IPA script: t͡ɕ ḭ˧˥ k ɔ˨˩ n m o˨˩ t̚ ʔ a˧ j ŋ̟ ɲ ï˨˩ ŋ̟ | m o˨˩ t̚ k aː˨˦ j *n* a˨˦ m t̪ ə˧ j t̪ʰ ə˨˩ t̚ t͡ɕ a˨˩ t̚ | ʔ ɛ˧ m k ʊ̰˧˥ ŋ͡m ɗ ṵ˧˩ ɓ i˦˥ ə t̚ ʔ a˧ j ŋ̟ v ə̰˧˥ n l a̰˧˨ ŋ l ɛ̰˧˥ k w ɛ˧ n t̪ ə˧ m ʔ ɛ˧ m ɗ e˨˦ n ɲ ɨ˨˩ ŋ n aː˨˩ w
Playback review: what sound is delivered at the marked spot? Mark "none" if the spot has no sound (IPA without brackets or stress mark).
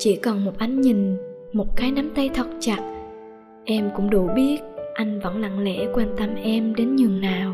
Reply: n